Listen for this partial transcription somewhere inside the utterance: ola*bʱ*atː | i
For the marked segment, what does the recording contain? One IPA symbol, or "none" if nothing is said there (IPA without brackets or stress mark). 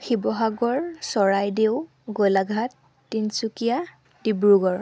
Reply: ɡʱ